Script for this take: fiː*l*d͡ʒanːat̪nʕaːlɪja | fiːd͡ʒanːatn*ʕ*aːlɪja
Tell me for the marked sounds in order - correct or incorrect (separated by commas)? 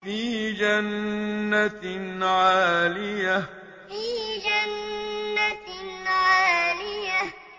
incorrect, correct